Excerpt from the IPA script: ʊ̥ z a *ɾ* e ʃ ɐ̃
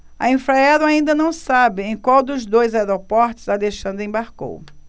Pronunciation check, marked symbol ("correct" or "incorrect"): incorrect